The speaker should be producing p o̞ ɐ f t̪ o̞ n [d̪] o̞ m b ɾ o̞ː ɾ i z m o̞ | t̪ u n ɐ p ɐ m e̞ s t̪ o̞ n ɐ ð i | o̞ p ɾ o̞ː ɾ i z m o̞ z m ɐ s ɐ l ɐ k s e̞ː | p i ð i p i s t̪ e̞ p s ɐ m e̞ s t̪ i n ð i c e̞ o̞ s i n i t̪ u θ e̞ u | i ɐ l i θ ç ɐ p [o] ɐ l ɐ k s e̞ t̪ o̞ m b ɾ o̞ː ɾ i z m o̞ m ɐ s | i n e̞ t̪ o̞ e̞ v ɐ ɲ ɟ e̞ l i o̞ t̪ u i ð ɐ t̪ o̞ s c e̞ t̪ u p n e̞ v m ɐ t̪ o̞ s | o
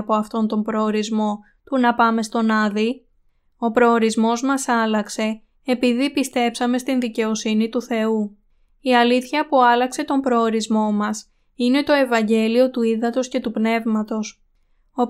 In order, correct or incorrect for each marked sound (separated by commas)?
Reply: incorrect, incorrect